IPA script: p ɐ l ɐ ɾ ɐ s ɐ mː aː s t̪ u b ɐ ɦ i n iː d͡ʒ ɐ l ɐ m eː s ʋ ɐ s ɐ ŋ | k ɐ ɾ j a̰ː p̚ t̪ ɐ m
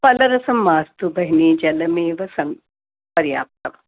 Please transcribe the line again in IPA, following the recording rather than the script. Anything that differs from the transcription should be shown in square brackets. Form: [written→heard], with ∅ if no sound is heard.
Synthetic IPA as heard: p ɐ l ɐ ɾ ɐ s ɐ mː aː s t̪ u b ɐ ɦ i n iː d͡ʒ ɐ l ɐ m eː [s→∅] ʋ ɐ s ɐ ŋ | [k→p] ɐ ɾ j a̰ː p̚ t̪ ɐ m